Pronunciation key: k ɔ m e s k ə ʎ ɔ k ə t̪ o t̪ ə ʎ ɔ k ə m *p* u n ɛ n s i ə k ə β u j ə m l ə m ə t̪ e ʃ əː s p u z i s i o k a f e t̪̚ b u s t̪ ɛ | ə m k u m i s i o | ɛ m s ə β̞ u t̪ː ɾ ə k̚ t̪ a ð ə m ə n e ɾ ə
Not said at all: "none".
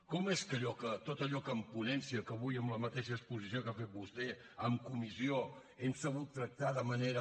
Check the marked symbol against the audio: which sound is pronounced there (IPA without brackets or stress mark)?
p